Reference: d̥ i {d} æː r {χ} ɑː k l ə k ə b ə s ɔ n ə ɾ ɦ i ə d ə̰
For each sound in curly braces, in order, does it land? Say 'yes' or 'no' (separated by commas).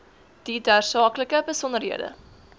yes, no